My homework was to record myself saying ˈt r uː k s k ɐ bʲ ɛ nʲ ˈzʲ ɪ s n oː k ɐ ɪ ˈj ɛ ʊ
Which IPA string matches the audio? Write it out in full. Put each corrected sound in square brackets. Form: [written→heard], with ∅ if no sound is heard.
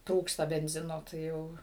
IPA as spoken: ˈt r uː k s [k→t] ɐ bʲ ɛ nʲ ˈzʲ ɪ [s→∅] n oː [k→t] ɐ ɪ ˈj ɛ ʊ